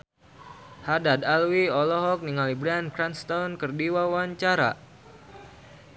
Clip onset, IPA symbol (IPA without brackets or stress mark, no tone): h